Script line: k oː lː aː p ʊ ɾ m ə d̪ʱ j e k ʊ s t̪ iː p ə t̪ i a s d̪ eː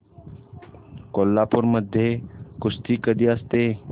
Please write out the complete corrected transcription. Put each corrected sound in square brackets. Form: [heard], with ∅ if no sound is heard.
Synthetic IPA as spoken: k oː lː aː p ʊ ɾ m ə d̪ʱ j e k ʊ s t̪ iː [k] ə [d̪] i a s [t̪] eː